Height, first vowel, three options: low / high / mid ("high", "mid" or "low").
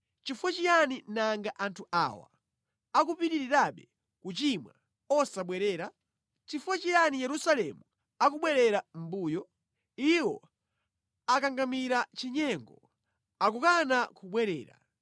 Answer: high